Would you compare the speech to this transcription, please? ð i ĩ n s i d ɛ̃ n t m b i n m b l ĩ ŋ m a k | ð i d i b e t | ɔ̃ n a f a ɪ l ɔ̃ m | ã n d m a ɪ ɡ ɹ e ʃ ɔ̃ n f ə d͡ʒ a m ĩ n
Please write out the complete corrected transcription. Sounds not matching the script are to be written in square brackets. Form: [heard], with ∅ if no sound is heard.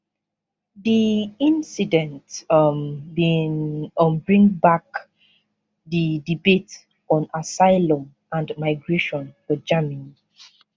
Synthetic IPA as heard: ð i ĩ n s i d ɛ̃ n t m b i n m b [ɹ] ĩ ŋ [b] a k | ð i d i b e t | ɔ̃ n a [s] a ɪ l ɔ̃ m | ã n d m a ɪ ɡ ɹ e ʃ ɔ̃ n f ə d͡ʒ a m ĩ n